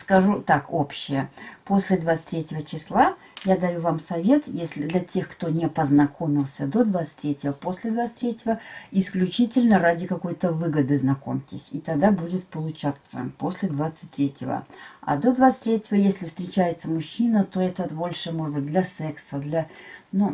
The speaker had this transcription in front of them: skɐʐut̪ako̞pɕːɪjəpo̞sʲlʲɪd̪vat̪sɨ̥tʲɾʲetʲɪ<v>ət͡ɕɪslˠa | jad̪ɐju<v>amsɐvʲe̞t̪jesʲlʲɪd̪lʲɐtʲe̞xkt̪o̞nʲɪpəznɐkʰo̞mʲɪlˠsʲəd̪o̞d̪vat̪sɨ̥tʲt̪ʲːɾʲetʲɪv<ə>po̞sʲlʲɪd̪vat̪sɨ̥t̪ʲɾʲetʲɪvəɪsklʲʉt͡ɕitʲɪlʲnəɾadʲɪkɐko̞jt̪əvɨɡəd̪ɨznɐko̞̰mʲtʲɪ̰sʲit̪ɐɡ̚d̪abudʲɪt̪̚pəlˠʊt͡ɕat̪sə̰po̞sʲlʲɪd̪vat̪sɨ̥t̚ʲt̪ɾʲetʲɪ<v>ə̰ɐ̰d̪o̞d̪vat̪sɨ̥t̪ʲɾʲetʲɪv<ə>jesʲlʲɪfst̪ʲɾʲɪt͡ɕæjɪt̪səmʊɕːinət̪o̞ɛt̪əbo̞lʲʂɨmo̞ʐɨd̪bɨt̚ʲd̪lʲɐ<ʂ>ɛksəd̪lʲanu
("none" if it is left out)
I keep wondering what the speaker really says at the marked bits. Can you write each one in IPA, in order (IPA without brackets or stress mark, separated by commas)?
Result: v, v, ə, v, ə, s